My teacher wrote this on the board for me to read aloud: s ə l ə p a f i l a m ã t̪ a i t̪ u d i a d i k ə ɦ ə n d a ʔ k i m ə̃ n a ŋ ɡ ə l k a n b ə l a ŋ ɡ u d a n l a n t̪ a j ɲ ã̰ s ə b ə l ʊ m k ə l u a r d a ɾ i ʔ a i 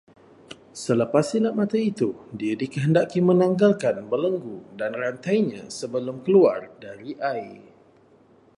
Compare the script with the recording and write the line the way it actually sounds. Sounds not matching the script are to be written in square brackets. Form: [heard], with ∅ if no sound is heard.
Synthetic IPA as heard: s ə l ə p a [s] i l a m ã t̪ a i t̪ u d i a d i k ə ɦ ə n d a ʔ k i m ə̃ n a ŋ ɡ [a] l k a n b ə l [ə] ŋ ɡ u d a n [r] a n t̪ a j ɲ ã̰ s ə b ə l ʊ m k ə l u a r d a ɾ i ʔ a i

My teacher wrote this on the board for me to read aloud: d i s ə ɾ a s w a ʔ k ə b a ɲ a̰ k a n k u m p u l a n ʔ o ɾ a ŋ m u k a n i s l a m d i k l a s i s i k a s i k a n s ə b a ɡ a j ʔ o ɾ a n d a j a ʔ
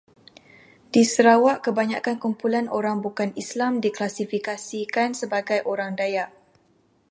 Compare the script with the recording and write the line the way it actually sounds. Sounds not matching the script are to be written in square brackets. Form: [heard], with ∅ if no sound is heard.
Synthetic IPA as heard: d i s ə ɾ a [∅] w a ʔ k ə b a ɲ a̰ k a n k u m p u l a n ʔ o ɾ a ŋ [b] u k a n i s l a m d i k l a s i [f] i k a s i k a n s ə b a ɡ a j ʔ o ɾ a [ŋ] d a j a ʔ

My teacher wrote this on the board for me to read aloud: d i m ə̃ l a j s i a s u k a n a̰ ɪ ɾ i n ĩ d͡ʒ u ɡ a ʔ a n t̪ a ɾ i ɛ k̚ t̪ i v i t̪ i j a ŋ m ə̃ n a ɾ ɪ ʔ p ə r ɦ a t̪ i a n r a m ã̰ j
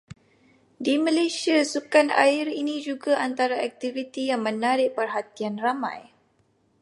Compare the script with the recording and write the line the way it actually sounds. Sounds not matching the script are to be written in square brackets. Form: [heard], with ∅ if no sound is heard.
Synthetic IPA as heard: d i m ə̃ l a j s i a s u k a n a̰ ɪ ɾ i n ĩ d͡ʒ u ɡ a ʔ a n t̪ a ɾ [a] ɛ k̚ t̪ i v i t̪ i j a ŋ m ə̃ n a ɾ ɪ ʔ p ə r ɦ a t̪ i a n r a m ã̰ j

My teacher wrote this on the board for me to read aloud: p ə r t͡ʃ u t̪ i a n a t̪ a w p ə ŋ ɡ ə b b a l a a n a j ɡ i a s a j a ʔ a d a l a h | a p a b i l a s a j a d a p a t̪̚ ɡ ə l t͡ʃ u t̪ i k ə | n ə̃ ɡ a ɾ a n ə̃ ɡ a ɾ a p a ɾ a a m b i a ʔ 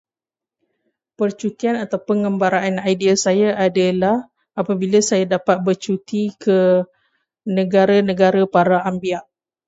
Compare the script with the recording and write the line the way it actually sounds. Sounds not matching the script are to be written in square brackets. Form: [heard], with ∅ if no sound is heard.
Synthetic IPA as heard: p ə r t͡ʃ u t̪ i a n a t̪ a w p ə ŋ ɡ ə [m] b a [ɾ] a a n a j [d] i a s a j a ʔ a d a l a h | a p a b i l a s a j a d a p a t̪̚ [b] ə [r] t͡ʃ u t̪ i k ə | n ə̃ ɡ a ɾ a n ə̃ ɡ a ɾ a p a ɾ a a m b i a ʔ

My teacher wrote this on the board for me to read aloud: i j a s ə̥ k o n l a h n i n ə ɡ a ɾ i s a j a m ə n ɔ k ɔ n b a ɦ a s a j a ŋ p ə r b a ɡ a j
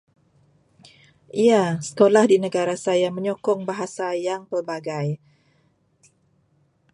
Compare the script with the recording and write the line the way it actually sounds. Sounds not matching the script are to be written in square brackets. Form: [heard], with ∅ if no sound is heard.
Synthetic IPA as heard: i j a s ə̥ k o [∅] l a h [d] i n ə ɡ a ɾ [a] s a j a m ə [ɲ] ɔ k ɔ [ŋ] b a ɦ a s a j a ŋ p ə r b a ɡ a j

